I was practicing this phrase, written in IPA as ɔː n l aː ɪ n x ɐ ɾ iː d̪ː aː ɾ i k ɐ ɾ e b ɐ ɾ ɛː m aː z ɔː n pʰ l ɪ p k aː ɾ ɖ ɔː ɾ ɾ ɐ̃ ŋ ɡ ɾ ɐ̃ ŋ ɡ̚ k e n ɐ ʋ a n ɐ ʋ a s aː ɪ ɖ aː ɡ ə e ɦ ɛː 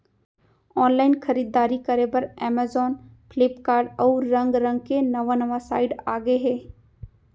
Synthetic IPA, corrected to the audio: ɔː n l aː ɪ n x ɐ ɾ iː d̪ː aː ɾ i k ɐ ɾ e b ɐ ɾ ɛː m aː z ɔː n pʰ l ɪ p k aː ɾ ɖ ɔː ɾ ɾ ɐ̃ ŋ ɡ ɾ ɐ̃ ŋ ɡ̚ k e n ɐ ʋ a n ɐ ʋ a s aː ɪ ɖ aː ɡ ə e ɦ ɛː